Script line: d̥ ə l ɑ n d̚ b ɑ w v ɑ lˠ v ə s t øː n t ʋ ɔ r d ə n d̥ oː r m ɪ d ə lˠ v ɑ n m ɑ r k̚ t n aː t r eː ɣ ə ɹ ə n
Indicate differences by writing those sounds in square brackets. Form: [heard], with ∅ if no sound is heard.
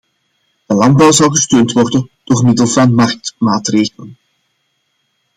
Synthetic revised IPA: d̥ ə l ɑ n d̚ b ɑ w [z] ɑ lˠ [ɣ] ə s t øː n t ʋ ɔ r d ə n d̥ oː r m ɪ d ə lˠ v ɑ n m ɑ r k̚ t [m] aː t r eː ɣ ə [l] ə n

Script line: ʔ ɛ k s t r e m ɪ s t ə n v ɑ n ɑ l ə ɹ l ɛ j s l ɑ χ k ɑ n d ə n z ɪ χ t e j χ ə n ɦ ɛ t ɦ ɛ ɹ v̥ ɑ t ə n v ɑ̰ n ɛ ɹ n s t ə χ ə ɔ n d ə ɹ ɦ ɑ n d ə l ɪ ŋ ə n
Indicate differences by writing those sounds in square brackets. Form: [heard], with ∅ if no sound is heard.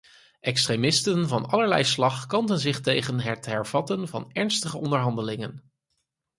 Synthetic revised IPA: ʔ ɛ k s t r e m ɪ s t ə n v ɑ n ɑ l ə ɹ l ɛ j s l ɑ χ k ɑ n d ə n z ɪ χ t e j χ ə n ɦ ɛ t ɦ ɛ ɹ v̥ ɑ t ə n v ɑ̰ n ɛ ɹ n s t ə χ ə ɔ n d ə ɹ ɦ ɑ n d ə l ɪ ŋ ə n

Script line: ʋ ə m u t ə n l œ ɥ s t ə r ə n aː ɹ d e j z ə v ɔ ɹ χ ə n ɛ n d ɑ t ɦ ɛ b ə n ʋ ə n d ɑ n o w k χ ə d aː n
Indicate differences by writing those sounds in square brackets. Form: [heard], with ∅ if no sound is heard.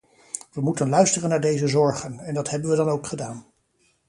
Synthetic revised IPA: ʋ ə m u t ə n l œ ɥ s t ə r ə n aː ɹ d e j z ə [z] ɔ ɹ χ ə n ɛ n d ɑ t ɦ ɛ b ə n ʋ ə [∅] d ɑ n o w k χ ə d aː n

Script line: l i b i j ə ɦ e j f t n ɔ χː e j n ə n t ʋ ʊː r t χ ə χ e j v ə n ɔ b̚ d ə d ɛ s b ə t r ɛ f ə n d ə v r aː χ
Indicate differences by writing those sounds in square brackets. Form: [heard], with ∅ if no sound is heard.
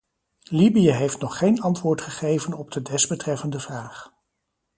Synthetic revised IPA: l i b i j ə ɦ e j f t n ɔ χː e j n [ɑ] n t ʋ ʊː [ɹ] t χ ə χ e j v ə n ɔ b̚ d ə d ɛ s b ə t r ɛ f ə n d ə v r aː χ

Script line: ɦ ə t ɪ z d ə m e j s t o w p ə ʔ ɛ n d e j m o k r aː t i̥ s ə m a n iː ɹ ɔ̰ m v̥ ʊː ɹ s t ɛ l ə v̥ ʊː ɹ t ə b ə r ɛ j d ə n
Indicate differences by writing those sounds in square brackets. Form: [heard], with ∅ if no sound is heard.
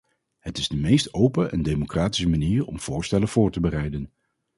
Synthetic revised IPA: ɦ ə t ɪ z d ə m e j s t o w p ə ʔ ɛ n d e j m o k r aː t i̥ s ə m a n iː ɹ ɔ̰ m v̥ ʊː ɹ s t ɛ l ə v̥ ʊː ɹ t ə b ə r ɛ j d ə n

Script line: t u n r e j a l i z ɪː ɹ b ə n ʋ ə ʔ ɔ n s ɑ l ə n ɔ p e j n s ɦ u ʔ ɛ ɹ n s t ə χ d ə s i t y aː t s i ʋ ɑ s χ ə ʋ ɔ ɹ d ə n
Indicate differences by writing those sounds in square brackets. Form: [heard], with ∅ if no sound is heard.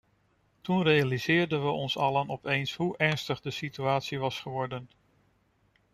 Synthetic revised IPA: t u n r e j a l i z ɪː ɹ [d] ə n ʋ ə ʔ ɔ n s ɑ l ə n ɔ p e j n s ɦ u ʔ ɛ ɹ n s t ə χ d ə s i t y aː t s i ʋ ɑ s χ ə ʋ ɔ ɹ d ə n

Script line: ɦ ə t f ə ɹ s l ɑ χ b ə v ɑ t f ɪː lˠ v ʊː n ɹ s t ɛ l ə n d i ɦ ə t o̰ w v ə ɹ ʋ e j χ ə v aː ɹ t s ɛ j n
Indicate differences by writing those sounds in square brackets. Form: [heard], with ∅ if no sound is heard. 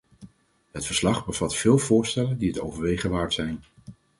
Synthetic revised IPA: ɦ ə t f ə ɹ s l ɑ χ b ə v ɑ t f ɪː lˠ v ʊː [∅] ɹ s t ɛ l ə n d i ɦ ə t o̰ w v ə ɹ ʋ e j χ ə [ʋ] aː ɹ t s ɛ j n

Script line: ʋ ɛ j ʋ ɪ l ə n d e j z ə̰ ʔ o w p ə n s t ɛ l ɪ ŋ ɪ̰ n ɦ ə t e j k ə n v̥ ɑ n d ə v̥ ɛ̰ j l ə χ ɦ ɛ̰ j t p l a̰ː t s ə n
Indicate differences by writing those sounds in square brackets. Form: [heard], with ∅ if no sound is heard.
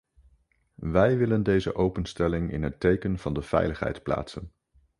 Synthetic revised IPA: ʋ ɛ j ʋ ɪ l ə n d e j z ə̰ ʔ o w p ə n s t ɛ l ɪ ŋ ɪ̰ n ɦ ə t e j k ə n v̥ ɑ n d ə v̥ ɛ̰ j l ə χ ɦ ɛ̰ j t p l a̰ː t s ə n

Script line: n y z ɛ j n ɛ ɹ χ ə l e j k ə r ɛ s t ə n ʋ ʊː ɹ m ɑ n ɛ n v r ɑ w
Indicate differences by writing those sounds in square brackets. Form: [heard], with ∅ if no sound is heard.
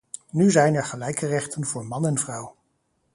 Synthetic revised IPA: n y z ɛ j n ɛ ɹ χ ə l [ɛ] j k ə r ɛ [χ] t ə n [v] ʊː ɹ m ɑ n ɛ n v r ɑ w

